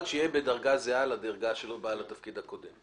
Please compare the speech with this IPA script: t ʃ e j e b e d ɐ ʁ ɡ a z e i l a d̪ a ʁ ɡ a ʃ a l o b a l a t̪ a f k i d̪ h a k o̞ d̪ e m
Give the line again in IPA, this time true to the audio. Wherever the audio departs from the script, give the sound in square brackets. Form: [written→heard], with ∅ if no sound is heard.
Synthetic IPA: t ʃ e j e b e d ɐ ʁ ɡ a z e [i→a] l a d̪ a ʁ ɡ a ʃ [a→e] l o b a l a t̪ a f k i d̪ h a k o̞ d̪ e m